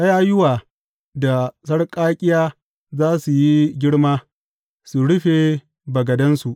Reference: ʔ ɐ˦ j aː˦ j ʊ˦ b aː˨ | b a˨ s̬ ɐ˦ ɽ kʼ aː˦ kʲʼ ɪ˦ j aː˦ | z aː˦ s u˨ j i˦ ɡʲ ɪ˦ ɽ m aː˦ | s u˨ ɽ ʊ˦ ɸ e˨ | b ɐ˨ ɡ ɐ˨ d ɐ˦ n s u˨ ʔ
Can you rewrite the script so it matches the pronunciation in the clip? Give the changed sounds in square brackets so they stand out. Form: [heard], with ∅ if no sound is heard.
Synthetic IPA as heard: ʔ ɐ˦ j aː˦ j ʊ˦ [w] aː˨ | [d] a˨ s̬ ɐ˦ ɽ kʼ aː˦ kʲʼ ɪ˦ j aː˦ | z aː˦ s u˨ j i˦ ɡʲ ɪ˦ ɽ m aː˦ | s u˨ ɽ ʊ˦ ɸ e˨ | b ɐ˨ ɡ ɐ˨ d ɐ˦ n s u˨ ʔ